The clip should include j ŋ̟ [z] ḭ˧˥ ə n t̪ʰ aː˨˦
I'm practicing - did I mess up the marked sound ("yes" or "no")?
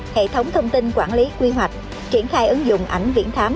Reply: yes